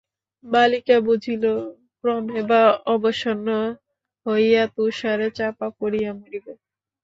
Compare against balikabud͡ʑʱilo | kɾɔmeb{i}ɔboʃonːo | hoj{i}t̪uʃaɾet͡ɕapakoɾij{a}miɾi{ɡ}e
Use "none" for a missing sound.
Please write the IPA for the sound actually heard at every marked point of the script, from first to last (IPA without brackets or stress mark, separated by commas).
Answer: a, a, a, b